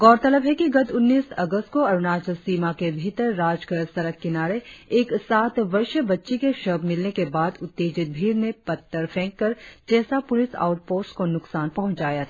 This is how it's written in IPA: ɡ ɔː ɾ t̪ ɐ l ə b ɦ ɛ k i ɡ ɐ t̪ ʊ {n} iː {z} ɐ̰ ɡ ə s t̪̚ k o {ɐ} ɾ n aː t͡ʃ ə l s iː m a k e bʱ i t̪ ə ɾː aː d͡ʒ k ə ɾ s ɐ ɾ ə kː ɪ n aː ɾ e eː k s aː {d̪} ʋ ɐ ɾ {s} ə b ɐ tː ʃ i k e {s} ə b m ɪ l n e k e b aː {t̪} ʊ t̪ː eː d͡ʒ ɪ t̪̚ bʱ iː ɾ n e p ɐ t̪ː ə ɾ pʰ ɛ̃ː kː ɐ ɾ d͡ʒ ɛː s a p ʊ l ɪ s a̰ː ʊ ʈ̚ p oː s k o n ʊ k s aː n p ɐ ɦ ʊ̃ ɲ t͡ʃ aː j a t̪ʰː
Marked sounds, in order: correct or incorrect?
incorrect: nː, incorrect: s, correct, incorrect: t̪, incorrect: ʃ, incorrect: ʃ, incorrect: d̪

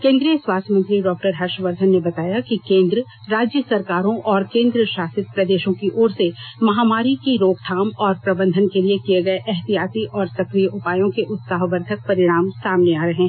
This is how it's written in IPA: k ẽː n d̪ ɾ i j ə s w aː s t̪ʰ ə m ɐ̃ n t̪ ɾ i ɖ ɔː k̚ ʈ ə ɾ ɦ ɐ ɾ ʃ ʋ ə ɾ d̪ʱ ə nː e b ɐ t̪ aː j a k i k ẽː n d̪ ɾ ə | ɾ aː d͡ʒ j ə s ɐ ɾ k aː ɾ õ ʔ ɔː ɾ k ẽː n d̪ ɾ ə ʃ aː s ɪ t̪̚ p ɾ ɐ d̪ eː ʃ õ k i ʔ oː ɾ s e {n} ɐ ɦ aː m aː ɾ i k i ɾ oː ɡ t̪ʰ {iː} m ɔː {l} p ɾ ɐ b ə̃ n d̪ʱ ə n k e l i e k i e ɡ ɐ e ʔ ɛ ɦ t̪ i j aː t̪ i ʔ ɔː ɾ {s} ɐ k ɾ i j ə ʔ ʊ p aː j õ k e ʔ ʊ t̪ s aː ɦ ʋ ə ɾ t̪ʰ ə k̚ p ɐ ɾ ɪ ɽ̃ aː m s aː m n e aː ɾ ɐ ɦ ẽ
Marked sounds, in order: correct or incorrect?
incorrect: m, incorrect: aː, incorrect: ɾ, correct

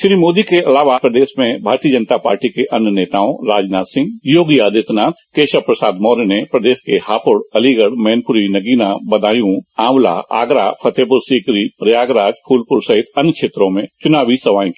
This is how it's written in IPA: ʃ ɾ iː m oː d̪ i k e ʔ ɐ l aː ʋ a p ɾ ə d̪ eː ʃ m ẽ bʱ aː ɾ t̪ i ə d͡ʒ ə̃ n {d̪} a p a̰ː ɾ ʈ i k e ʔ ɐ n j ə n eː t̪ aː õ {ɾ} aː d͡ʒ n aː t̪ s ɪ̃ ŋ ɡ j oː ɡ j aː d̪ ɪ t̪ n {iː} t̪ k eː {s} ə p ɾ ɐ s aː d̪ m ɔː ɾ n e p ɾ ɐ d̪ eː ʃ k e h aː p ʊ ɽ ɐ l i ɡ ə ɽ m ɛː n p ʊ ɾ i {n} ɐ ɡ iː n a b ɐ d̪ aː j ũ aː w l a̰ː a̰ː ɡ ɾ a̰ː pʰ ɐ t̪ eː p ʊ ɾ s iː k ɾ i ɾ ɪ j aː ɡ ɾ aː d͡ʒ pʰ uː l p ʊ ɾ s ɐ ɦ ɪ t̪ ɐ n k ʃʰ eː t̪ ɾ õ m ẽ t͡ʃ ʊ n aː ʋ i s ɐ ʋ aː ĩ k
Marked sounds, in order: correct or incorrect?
incorrect: t̪, correct, incorrect: aː, incorrect: ʃ, correct

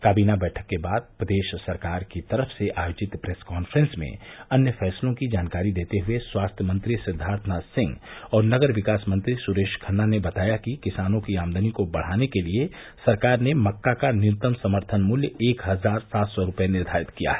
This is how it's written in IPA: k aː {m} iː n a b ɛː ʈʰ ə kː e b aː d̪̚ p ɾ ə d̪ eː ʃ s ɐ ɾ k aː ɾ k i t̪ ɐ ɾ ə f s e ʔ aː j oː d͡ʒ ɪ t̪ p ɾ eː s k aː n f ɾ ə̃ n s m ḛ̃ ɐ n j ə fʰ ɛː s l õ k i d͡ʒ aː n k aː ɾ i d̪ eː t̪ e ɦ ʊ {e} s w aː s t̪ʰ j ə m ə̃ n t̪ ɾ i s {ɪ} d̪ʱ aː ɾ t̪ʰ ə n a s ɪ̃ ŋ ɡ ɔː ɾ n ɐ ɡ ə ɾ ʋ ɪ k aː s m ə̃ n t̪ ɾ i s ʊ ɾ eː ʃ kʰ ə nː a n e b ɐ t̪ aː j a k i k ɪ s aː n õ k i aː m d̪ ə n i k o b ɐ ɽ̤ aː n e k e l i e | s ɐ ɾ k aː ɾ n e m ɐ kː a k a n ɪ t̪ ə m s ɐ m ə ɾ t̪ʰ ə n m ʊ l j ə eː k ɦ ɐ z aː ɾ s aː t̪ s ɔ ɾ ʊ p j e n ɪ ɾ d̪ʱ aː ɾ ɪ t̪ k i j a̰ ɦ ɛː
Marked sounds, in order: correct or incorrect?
incorrect: b, correct, correct

